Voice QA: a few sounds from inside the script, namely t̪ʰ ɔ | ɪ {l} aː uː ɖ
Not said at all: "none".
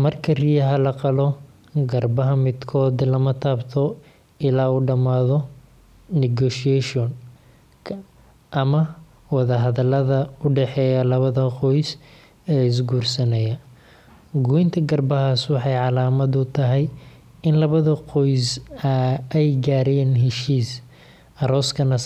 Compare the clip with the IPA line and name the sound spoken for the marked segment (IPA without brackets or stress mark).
l